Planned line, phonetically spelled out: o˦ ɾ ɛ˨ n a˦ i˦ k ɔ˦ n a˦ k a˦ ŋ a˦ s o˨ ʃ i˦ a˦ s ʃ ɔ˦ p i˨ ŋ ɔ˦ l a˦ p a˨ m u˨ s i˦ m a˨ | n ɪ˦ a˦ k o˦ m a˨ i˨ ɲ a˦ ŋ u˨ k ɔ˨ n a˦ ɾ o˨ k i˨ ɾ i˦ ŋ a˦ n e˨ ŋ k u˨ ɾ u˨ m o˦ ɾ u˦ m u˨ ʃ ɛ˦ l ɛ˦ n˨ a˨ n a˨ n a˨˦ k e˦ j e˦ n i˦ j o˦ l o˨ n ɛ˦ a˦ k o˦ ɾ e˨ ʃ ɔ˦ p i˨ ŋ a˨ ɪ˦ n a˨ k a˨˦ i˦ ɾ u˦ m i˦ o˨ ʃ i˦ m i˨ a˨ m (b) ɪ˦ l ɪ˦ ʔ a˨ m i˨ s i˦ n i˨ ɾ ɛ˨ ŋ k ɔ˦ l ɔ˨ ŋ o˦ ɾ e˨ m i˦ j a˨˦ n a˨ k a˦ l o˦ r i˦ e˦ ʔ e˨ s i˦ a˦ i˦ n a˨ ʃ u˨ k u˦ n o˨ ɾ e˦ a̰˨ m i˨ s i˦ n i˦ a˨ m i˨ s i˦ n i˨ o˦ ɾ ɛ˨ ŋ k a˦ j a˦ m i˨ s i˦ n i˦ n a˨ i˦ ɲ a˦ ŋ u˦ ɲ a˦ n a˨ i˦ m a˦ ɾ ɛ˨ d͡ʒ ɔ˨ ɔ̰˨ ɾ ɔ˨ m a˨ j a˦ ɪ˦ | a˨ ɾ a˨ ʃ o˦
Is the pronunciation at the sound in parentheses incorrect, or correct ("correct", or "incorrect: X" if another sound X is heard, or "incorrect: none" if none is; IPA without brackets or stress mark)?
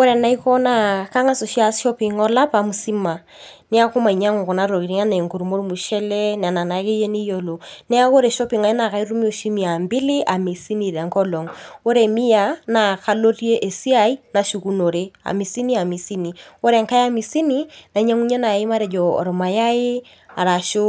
correct